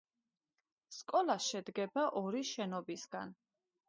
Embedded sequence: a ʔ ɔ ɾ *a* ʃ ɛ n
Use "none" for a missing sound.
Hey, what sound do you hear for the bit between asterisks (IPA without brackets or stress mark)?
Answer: i